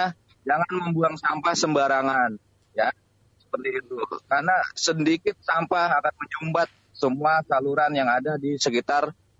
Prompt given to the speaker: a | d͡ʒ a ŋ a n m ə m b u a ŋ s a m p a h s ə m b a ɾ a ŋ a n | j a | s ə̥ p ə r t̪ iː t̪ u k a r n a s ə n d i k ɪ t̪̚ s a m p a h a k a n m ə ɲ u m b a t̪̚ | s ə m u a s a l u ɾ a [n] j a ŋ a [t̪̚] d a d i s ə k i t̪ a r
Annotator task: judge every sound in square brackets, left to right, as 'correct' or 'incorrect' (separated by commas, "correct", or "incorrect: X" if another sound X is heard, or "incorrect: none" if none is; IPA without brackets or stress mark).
correct, incorrect: none